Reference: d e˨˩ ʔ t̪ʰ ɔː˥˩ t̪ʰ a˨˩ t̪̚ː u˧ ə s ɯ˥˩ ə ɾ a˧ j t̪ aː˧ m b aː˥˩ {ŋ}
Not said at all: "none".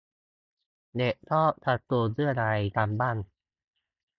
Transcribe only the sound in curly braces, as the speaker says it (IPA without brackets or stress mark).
n